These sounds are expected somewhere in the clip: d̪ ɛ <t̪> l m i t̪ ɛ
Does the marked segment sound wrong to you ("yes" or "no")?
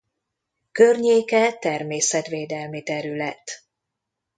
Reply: yes